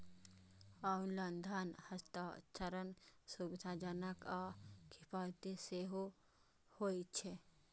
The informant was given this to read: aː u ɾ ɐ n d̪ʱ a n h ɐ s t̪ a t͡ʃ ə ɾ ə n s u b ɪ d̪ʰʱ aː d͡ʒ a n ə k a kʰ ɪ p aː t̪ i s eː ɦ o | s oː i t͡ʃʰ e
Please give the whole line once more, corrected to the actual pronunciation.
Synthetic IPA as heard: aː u l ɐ n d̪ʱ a n h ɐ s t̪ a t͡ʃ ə ɾ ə n s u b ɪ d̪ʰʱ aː d͡ʒ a n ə k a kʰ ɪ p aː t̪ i s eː ɦ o | h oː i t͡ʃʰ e